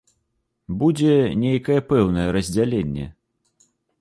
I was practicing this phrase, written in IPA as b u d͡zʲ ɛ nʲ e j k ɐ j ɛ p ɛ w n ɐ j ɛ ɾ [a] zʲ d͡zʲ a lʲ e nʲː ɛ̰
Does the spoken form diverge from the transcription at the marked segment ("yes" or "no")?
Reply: yes